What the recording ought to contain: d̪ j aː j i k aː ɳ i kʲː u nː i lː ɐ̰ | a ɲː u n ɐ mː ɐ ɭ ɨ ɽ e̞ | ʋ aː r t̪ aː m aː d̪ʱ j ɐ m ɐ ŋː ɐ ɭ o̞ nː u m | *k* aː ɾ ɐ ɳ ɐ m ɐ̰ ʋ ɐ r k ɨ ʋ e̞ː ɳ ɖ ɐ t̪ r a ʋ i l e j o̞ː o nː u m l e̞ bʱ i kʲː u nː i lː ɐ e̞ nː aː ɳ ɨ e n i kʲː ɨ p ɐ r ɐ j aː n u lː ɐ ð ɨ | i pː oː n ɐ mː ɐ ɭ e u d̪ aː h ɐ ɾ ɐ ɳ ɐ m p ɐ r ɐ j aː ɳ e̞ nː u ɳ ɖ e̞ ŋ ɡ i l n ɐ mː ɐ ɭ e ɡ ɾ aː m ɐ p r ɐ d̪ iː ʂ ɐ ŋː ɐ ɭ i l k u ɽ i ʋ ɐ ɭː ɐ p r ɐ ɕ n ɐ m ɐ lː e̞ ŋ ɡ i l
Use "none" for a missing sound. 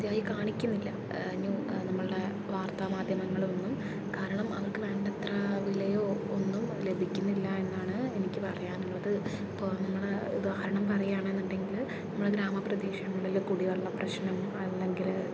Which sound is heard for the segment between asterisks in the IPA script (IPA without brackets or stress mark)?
k